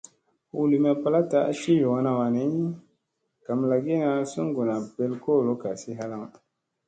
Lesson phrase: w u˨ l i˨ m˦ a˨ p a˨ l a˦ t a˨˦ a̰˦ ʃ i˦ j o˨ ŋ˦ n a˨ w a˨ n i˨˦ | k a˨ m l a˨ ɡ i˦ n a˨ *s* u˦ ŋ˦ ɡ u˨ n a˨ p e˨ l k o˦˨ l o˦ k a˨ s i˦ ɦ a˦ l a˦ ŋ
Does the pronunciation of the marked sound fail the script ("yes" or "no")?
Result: no